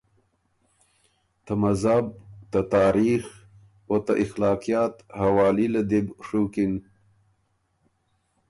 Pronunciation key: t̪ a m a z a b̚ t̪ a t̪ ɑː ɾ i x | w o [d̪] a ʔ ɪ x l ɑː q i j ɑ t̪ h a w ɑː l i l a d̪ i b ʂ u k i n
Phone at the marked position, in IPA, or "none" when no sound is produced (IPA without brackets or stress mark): t̪